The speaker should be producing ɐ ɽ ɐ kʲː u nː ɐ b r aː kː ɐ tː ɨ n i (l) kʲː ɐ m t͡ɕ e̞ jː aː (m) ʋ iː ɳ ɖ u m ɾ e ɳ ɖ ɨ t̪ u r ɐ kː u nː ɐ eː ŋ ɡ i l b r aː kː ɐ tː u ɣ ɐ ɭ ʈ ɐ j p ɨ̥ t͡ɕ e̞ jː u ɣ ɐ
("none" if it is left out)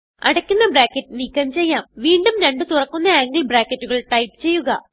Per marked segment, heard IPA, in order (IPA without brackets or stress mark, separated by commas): none, m